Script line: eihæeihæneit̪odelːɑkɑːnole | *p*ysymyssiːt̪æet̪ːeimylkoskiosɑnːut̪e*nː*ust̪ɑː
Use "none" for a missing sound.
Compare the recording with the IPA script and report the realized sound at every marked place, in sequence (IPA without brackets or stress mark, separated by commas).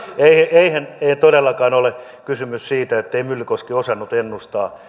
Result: k, nː